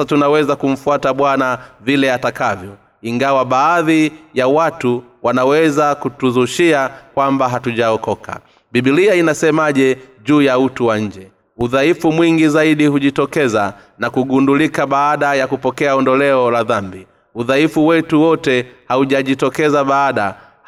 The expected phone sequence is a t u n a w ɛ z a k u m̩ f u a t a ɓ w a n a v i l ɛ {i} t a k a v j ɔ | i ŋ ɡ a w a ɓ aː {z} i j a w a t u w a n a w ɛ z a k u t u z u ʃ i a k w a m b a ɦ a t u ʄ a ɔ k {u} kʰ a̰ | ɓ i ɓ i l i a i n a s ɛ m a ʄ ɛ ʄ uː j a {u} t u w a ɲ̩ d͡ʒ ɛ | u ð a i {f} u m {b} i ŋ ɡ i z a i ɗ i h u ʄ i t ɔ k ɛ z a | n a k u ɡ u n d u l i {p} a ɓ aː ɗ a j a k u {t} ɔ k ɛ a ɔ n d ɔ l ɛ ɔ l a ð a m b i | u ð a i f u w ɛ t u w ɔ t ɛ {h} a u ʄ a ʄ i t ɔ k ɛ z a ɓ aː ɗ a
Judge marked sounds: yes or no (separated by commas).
no, no, no, yes, yes, no, no, no, yes